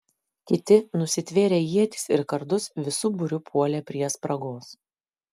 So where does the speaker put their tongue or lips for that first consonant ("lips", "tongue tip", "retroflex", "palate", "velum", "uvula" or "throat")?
velum